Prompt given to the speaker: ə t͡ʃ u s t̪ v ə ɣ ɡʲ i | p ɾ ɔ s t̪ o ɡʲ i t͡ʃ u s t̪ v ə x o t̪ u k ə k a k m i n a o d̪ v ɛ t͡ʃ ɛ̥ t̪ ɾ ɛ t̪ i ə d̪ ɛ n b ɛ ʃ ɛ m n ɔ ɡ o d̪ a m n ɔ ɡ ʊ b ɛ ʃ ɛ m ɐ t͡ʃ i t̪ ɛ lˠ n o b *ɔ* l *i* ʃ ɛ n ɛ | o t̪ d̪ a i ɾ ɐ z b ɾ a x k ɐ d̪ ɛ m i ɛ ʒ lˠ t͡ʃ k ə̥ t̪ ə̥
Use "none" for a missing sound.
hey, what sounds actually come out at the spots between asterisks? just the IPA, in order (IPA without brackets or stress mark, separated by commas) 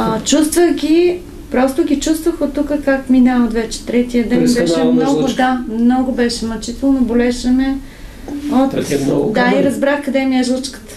o, ɛ